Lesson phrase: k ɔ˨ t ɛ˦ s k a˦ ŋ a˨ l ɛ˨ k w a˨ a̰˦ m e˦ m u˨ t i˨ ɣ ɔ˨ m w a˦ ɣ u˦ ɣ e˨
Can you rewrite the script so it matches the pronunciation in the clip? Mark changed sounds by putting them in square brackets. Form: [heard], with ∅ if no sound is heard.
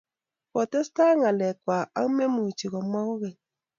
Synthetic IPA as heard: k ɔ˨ t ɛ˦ s [t] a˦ ŋ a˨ l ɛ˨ k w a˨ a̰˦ m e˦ m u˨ [t͡ʃ] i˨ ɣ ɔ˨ m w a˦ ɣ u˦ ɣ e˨